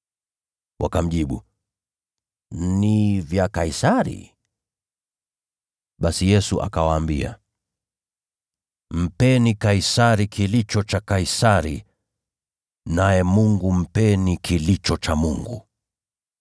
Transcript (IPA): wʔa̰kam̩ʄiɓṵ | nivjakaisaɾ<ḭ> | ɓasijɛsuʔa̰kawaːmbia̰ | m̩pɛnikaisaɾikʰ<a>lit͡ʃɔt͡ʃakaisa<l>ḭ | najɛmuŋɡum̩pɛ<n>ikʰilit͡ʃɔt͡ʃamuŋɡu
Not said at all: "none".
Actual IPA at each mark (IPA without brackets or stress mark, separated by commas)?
ḭ, i, ɾ, n